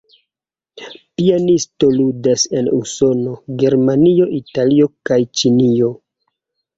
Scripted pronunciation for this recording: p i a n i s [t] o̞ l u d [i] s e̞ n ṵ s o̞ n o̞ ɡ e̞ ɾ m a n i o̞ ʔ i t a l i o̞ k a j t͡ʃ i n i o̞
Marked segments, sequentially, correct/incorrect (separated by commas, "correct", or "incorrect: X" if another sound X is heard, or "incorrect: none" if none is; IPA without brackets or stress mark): correct, incorrect: a